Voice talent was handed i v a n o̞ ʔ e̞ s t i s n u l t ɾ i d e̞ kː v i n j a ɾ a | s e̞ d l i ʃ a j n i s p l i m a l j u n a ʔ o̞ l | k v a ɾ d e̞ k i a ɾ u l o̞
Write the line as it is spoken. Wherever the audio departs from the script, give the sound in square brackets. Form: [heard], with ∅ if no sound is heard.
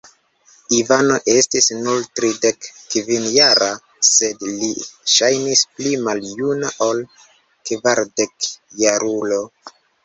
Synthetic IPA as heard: i v a n o̞ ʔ e̞ s t i s n u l t ɾ i d e̞ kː v i n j a ɾ a | s e̞ d l i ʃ a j n i s p l i m a l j u n a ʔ o̞ l | k v a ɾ d e̞ k [j] a ɾ u l o̞